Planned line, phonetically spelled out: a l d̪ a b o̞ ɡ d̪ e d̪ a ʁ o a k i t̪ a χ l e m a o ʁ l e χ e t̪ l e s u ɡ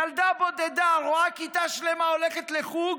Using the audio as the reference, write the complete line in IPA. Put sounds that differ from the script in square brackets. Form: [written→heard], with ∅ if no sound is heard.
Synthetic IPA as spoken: a l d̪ a b o̞ [ɡ→∅] d̪ e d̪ a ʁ o a k i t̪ a [χ→ʃ] l e m a o [ʁ→∅] l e χ e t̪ l e [s→χ] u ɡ